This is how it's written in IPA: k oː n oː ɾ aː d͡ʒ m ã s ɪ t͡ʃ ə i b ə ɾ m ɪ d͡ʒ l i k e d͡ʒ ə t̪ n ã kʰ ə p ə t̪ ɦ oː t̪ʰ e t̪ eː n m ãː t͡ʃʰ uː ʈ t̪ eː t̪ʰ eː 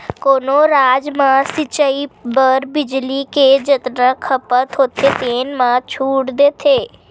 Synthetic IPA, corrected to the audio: k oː n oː ɾ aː d͡ʒ m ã s ɪ t͡ʃ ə i b ə ɾ b ɪ d͡ʒ l i k e d͡ʒ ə t̪ n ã kʰ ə p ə t̪ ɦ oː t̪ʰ e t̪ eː n m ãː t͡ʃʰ uː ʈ d̪ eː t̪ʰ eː